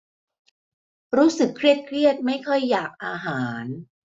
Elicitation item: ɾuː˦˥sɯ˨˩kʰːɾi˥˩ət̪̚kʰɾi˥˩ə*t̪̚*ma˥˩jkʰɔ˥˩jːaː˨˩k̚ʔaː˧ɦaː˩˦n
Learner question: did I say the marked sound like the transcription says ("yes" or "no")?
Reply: yes